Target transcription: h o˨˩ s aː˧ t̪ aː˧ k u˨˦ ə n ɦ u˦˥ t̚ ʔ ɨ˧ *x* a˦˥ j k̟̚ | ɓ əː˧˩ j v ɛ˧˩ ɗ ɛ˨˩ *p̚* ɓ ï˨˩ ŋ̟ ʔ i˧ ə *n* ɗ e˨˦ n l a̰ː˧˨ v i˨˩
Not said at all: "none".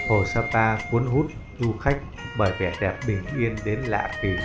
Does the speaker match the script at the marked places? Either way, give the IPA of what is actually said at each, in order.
x, p̚, n

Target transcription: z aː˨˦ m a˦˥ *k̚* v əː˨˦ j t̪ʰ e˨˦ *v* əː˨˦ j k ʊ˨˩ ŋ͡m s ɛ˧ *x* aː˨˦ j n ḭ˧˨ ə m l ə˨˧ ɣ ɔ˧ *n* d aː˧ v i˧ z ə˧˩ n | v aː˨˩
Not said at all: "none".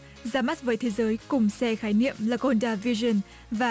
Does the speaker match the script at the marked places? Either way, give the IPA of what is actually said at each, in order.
t̚, z, x, n

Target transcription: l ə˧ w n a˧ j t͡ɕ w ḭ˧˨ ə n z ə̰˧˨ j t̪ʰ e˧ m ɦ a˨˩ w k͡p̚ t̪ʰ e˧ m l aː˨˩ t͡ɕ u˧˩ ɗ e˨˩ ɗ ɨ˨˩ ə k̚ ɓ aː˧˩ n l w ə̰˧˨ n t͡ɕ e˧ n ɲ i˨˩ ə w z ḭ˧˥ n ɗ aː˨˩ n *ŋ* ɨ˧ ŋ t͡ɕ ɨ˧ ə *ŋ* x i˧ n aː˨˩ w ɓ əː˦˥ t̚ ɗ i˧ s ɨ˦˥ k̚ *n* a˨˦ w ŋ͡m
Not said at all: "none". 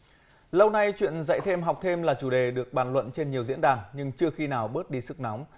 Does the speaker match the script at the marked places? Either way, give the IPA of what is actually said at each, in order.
ɲ, none, n

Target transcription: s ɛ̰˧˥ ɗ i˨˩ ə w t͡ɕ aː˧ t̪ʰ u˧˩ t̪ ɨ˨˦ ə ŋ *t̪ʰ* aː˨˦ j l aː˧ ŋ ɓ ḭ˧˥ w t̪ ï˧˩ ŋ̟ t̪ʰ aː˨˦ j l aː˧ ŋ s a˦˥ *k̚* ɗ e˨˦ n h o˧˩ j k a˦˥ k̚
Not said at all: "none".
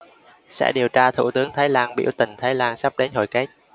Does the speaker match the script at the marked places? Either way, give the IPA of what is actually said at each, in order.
t̪ʰ, p̚

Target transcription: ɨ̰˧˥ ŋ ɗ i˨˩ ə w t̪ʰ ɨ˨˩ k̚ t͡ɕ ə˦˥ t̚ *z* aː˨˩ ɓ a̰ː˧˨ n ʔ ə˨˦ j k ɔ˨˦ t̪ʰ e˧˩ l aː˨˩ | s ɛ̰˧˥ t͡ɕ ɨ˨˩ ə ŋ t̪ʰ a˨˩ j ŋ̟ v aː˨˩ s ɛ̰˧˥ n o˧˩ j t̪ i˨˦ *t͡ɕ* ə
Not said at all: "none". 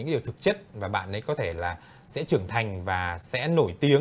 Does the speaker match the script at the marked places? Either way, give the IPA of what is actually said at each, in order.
v, none

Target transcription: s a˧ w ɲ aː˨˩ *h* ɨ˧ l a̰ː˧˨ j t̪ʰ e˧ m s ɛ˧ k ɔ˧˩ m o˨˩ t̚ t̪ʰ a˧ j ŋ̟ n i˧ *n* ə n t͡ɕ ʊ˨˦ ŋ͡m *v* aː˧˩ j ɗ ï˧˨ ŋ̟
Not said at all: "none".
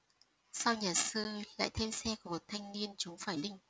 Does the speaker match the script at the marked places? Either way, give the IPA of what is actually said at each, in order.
s, none, f

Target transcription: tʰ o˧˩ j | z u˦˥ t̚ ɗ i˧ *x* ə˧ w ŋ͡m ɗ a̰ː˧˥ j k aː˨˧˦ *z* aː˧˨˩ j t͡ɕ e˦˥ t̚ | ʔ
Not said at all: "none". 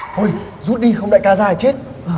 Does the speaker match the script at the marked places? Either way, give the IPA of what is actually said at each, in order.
x, z

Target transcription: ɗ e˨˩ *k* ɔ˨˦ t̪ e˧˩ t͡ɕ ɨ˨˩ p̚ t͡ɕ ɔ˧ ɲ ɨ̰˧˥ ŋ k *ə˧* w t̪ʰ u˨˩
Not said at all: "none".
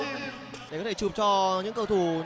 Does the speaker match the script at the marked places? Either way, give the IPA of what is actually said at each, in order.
k, ə˧

